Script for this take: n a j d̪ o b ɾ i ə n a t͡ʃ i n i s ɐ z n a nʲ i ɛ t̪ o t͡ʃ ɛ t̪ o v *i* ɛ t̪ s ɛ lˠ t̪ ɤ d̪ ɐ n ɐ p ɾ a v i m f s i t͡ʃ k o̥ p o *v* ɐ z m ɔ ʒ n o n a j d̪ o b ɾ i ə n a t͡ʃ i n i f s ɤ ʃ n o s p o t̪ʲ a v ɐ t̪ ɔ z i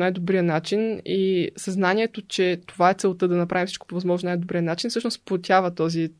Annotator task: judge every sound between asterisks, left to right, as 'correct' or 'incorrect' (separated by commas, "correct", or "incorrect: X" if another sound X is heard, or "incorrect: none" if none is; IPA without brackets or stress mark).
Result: incorrect: a, correct